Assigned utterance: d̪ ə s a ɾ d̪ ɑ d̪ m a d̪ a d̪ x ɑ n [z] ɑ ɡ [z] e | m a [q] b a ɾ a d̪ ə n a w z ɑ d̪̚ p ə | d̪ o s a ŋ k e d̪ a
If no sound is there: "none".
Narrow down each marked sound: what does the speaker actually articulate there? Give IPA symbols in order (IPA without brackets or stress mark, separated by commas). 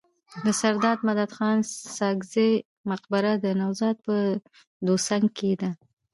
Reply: s, z, q